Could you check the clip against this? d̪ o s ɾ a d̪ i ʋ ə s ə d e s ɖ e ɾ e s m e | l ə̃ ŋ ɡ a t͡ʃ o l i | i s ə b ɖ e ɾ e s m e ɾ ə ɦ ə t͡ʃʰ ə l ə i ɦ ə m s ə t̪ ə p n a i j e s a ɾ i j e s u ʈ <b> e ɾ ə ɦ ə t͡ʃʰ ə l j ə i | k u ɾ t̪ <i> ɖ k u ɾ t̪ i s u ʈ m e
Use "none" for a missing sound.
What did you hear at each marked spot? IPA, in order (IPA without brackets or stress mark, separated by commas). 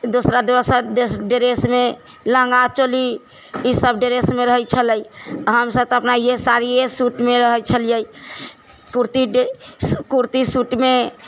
m, i